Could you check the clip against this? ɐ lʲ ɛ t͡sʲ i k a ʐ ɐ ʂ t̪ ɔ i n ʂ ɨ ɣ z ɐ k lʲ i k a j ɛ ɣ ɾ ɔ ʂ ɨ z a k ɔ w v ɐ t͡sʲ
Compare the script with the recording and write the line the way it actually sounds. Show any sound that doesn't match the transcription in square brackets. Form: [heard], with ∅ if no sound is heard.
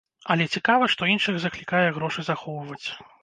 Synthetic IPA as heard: ɐ lʲ ɛ t͡sʲ i k a [v] ɐ ʂ t̪ ɔ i n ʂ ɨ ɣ z ɐ k lʲ i k a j ɛ ɣ ɾ ɔ ʂ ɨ z a [x] ɔ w v ɐ t͡sʲ